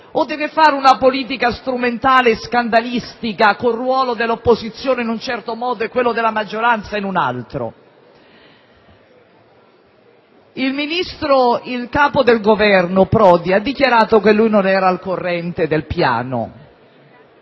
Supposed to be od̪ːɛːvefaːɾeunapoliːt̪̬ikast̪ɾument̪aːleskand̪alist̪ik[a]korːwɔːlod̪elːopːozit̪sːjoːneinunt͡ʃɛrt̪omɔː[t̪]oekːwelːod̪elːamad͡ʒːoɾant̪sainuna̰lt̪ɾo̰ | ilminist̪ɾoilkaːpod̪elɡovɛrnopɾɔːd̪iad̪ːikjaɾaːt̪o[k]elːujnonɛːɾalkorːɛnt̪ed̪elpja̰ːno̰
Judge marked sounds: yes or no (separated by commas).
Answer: yes, no, yes